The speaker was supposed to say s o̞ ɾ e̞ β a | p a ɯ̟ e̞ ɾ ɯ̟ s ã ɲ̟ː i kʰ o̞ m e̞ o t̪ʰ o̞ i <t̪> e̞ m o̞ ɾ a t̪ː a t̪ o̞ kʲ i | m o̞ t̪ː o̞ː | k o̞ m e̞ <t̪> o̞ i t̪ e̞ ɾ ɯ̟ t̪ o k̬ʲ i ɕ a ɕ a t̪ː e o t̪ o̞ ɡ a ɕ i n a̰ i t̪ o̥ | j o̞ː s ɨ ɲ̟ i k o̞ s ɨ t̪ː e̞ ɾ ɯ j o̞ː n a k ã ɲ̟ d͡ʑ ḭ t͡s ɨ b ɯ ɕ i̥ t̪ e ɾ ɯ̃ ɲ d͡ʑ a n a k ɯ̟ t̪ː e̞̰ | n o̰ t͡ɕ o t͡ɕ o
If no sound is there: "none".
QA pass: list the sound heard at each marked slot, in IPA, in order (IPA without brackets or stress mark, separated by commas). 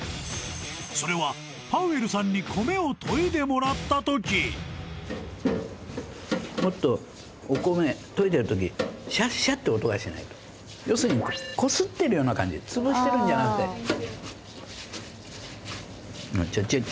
d̪, t̪